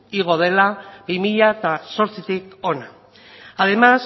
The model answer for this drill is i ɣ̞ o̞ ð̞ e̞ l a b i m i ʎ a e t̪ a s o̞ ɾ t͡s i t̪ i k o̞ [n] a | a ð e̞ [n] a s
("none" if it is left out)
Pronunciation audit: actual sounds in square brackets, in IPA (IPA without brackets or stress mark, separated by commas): n, m